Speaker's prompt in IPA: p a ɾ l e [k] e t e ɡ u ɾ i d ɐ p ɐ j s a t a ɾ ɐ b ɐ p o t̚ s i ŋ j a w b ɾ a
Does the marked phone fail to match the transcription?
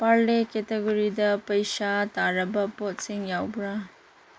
no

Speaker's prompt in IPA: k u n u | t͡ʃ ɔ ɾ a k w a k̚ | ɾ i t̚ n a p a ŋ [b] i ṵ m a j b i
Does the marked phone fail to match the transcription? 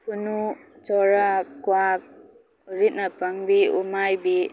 no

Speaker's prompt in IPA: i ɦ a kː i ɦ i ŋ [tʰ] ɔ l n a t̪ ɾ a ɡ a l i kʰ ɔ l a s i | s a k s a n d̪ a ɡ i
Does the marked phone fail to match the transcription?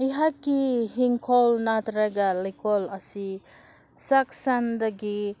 yes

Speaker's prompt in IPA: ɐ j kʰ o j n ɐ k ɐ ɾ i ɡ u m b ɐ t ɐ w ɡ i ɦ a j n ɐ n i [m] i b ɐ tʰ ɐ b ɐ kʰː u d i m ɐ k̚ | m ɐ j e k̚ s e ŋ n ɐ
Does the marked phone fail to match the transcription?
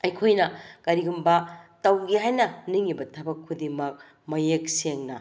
yes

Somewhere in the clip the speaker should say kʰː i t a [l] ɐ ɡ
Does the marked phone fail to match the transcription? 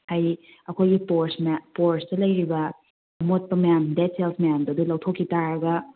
yes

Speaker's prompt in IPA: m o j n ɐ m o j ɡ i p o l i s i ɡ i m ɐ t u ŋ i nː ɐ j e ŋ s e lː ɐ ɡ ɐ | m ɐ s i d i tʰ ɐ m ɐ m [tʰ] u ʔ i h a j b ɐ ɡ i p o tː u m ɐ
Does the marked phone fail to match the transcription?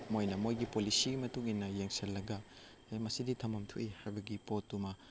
no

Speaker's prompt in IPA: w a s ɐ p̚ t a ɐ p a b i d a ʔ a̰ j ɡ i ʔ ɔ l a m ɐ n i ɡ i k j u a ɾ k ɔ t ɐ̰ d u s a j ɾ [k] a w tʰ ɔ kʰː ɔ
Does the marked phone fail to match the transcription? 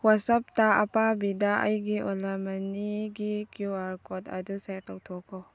yes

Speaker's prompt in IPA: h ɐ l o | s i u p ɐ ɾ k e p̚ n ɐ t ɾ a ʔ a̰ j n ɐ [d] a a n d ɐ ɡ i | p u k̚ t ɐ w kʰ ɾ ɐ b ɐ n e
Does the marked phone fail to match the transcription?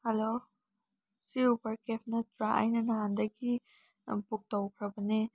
yes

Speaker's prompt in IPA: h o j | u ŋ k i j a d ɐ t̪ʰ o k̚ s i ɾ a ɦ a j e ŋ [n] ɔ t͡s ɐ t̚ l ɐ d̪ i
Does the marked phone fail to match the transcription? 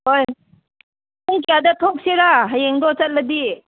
yes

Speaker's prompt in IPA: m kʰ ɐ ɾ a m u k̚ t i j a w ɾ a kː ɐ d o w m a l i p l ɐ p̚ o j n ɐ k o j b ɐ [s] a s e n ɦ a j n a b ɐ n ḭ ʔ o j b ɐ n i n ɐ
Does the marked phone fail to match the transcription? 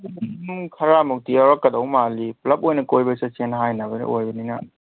no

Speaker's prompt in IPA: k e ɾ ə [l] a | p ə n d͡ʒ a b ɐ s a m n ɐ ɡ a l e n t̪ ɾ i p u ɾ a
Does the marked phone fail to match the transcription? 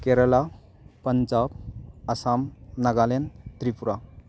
no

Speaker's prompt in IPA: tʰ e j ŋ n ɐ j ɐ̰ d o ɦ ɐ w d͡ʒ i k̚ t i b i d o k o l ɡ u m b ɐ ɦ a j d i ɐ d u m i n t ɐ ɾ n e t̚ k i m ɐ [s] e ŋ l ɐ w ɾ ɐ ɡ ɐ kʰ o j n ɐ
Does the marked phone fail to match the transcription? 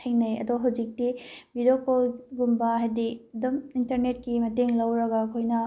yes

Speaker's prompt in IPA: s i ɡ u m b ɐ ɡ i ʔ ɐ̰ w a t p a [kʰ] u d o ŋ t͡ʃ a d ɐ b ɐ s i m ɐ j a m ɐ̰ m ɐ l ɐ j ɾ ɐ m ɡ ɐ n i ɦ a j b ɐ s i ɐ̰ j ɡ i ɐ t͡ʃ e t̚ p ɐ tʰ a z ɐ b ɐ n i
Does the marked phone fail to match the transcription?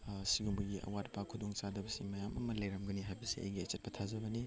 no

